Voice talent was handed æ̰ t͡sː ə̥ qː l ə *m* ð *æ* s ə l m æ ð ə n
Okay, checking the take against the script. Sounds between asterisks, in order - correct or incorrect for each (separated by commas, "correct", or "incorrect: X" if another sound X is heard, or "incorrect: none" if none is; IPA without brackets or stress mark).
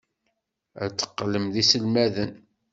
correct, incorrect: i